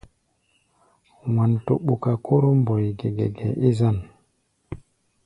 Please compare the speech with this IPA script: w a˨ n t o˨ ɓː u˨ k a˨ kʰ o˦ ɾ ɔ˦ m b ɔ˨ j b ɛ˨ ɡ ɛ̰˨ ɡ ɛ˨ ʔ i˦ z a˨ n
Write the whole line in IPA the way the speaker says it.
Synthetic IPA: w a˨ n t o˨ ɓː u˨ k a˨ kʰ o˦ ɾ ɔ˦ m b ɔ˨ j ɡ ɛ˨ ɡ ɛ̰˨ ɡ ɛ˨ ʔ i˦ z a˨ n